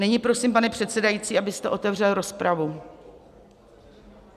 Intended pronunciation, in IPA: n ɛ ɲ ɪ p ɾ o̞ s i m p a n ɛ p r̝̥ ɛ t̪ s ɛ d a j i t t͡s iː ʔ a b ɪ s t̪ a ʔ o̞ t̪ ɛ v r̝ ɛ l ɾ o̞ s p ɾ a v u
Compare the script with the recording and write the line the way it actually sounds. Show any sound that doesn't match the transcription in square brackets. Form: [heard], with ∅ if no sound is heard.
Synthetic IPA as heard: n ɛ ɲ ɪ p ɾ o̞ s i m p a n ɛ p r̝̥ ɛ t̪ s ɛ d a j i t t͡s iː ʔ a b ɪ s t̪ [ɛ] ʔ o̞ t̪ ɛ v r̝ ɛ l ɾ o̞ s p ɾ a v u